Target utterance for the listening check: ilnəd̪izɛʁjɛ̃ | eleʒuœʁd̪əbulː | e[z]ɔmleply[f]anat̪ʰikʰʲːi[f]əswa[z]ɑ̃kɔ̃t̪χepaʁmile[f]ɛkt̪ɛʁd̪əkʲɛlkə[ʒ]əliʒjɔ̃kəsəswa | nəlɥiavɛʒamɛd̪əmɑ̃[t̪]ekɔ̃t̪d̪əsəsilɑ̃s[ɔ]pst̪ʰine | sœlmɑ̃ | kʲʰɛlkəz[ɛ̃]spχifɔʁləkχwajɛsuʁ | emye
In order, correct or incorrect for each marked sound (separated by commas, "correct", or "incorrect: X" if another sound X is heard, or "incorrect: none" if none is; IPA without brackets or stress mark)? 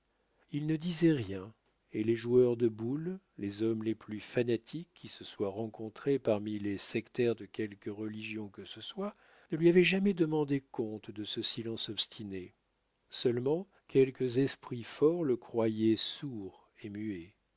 correct, correct, incorrect: s, incorrect: ʁ, incorrect: s, incorrect: ʁ, incorrect: d̪, correct, incorrect: ɛ